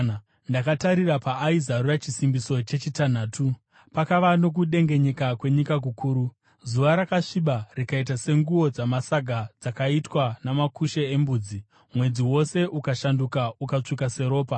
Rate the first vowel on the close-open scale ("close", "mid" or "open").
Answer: open